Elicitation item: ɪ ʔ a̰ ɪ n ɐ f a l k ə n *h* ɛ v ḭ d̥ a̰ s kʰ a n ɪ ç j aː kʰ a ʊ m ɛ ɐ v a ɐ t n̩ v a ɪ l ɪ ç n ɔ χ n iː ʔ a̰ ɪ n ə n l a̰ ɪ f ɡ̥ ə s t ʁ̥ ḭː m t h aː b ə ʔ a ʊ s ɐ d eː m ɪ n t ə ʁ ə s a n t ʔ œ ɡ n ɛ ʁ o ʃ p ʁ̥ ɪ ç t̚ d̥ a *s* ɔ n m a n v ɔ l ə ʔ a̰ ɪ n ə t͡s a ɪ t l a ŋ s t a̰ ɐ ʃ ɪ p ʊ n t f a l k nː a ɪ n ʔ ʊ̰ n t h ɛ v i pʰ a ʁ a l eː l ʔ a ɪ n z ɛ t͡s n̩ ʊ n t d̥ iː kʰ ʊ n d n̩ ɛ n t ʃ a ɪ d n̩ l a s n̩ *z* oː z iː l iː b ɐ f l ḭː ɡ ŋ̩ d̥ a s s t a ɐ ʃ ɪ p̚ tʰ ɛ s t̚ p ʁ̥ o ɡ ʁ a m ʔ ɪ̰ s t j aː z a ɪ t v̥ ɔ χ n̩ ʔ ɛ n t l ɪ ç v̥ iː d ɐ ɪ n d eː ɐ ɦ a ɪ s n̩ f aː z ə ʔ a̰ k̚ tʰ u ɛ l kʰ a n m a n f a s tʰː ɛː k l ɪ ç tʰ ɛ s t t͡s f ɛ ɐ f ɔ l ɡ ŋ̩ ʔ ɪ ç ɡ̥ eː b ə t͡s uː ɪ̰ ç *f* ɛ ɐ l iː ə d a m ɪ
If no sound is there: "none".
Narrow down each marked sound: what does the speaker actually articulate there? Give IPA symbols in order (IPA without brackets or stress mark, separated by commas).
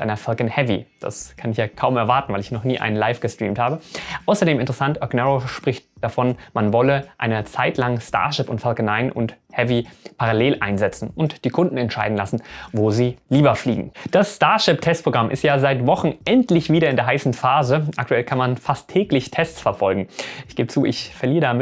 h, f, v, f